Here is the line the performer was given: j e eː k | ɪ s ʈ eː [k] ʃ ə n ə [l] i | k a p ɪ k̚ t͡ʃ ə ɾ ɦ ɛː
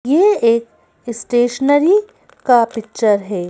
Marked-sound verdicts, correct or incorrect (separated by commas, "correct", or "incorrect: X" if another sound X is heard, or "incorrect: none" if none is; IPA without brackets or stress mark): incorrect: none, incorrect: ɾ